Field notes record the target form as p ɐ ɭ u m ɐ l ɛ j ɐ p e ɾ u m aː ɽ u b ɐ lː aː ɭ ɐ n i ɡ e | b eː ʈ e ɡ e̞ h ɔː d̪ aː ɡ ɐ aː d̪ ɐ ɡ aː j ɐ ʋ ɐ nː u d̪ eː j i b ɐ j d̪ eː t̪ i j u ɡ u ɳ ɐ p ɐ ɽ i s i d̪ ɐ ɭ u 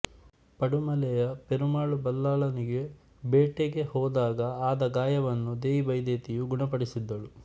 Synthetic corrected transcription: p ɐ ɽ u m ɐ l ɛ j ɐ p e ɾ u m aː ɭ u b ɐ lː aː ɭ ɐ n i ɡ e | b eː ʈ e ɡ e̞ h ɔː d̪ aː ɡ ɐ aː d̪ ɐ ɡ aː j ɐ ʋ ɐ nː u d̪ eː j i b ɐ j d̪ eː t̪ i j u ɡ u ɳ ɐ p ɐ ɽ i s i d̪ː ɐ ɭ u